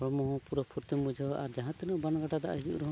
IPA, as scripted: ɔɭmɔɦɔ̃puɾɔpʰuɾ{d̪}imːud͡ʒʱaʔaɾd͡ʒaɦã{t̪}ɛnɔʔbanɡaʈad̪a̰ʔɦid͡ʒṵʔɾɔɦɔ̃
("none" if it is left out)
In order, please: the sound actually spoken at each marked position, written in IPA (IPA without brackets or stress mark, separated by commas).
t̪, t̪